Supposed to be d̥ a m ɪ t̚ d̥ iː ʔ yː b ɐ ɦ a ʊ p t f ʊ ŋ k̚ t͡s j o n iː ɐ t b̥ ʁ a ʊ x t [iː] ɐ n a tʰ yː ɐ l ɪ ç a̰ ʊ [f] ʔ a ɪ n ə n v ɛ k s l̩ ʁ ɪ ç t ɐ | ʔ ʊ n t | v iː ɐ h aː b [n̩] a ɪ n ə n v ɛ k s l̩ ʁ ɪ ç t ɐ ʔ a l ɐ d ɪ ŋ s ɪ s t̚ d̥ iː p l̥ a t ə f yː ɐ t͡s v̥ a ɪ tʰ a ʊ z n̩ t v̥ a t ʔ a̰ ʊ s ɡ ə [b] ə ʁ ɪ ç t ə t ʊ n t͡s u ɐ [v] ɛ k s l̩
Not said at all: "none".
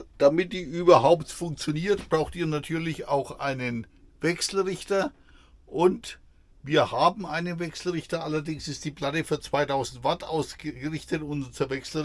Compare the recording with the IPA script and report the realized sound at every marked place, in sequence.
iː, x, m̩, ɡ, v

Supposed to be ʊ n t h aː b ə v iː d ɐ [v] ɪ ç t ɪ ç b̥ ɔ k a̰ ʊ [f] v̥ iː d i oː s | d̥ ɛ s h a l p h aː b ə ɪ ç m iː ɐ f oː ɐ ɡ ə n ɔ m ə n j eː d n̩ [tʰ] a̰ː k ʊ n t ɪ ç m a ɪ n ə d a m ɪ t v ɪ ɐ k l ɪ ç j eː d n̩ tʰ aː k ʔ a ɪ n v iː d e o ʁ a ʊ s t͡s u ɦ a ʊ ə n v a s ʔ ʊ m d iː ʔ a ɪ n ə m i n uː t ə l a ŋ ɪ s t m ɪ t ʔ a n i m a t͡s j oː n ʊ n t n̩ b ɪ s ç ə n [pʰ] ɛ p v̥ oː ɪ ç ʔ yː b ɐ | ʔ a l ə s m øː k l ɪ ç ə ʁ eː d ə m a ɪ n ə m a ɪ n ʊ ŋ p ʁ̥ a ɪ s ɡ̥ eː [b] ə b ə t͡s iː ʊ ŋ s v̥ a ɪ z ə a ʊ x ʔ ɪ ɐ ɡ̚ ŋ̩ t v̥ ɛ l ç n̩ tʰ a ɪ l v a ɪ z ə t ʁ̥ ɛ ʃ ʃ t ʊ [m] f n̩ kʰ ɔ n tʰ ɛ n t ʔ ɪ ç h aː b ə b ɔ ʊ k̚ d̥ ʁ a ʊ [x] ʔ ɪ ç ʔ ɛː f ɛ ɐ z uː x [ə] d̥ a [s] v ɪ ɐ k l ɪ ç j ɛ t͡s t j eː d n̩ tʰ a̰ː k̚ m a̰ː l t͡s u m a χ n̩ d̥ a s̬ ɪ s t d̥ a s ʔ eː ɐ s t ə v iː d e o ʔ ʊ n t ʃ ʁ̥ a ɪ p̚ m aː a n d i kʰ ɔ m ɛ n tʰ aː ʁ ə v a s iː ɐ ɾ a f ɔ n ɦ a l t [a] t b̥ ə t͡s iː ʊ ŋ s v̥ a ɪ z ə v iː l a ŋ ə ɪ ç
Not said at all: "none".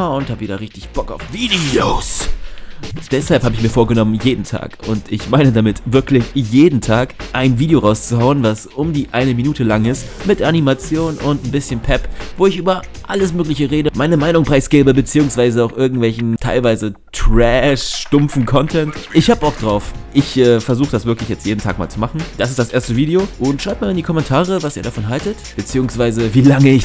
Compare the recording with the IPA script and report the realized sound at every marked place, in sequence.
ʁ, f, tʰ, pʰ, b, m, f, ə, s, ə

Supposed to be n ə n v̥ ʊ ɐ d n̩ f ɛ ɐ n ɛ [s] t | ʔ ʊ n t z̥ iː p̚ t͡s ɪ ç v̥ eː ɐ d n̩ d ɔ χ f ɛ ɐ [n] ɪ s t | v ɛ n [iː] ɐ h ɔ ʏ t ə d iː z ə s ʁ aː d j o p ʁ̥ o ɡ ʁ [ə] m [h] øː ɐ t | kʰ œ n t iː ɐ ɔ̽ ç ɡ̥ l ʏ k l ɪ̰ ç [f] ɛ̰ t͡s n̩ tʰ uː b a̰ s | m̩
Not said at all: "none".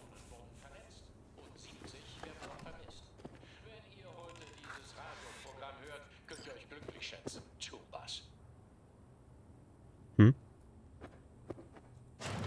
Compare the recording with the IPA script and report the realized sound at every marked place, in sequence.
t͡s, m, iː, a, h, ʃ

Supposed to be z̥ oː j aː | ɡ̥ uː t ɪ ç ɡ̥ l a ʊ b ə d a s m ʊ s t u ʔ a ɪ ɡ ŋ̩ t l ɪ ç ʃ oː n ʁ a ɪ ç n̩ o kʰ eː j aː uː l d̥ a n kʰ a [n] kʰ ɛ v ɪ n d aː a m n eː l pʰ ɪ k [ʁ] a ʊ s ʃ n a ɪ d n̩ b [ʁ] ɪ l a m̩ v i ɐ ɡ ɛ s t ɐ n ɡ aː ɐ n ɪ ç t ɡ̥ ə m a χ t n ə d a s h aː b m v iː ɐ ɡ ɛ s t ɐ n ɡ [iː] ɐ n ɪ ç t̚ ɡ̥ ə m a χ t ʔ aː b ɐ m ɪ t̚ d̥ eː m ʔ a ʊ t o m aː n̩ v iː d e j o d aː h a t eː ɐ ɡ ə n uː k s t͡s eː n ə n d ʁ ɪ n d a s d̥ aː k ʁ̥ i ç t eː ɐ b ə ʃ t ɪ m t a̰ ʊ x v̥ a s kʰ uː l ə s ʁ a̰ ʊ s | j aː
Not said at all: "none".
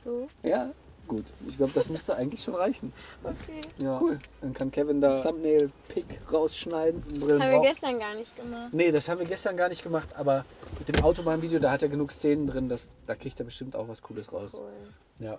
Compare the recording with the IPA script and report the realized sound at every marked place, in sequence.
n, ʁ, ʁ, aː

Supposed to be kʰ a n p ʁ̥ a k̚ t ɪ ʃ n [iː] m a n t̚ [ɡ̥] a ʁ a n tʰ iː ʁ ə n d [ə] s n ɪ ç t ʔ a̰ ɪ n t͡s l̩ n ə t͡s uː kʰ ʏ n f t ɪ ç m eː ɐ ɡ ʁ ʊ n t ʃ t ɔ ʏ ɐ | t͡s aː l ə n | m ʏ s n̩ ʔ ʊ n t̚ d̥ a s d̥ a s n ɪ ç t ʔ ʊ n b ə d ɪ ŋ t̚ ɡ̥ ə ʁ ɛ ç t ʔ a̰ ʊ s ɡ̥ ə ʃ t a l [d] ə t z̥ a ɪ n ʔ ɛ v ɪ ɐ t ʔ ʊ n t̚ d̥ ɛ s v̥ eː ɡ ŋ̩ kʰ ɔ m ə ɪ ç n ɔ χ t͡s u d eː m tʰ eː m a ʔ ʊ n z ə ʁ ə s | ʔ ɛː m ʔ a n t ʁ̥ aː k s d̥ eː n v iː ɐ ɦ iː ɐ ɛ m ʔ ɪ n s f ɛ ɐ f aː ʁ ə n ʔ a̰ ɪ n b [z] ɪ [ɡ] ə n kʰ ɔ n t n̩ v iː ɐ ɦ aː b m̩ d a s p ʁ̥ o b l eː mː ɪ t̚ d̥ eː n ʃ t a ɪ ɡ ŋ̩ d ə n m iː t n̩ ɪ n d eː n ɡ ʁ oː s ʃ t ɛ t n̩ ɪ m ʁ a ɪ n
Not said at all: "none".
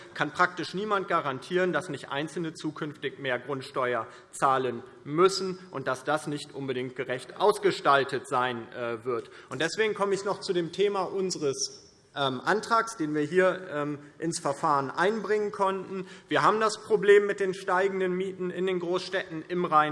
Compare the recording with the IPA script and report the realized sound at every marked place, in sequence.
iː, ɡ̥, a, t, ʁ, ŋ

